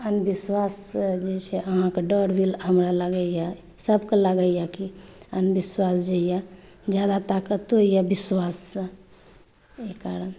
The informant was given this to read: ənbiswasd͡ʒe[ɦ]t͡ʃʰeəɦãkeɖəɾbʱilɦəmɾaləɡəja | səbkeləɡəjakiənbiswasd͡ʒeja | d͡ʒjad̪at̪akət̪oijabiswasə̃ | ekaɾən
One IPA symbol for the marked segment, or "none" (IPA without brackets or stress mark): none